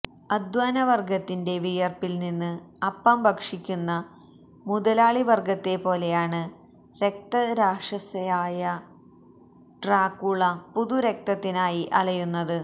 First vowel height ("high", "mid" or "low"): low